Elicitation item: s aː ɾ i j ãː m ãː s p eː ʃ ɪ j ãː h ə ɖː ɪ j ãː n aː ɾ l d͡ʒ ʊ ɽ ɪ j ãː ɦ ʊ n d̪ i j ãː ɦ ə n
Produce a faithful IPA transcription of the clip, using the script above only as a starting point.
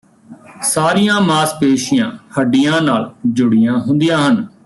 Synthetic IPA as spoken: s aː ɾ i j ãː m aː s p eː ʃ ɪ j ãː h ə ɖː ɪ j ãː n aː l d͡ʒ ʊ ɽ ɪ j ãː ɦ ʊ n d̪ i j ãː ɦ ə n